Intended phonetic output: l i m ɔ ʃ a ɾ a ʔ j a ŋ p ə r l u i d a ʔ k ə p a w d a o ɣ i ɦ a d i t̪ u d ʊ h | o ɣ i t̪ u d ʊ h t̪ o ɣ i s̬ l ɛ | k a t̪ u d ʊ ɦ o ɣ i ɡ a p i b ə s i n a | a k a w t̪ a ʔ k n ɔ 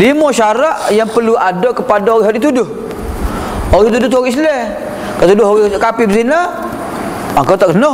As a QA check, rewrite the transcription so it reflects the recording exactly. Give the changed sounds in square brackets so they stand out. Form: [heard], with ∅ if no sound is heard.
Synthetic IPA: l i m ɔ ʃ a ɾ a ʔ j a ŋ p ə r l u [a] d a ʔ k ə p a [∅] d a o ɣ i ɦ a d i t̪ u d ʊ h | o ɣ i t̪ u d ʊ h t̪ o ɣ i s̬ l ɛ | k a t̪ u d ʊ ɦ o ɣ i [k] a p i b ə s i n a | a k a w t̪ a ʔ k n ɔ